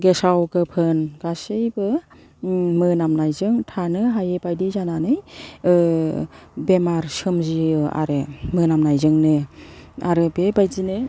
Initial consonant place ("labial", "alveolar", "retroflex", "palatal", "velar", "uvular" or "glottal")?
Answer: velar